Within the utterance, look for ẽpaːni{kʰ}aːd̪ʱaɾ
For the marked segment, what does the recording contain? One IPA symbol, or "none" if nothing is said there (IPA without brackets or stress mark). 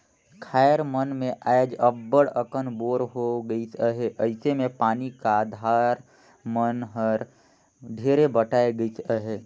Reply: k